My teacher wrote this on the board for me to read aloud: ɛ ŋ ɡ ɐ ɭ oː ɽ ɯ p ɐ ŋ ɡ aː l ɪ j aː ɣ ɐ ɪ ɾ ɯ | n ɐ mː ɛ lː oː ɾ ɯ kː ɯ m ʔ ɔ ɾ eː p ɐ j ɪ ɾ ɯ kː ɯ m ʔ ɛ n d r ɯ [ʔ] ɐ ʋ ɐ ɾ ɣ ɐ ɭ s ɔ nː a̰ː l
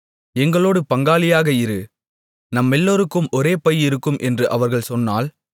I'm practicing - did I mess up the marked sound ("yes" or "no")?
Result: no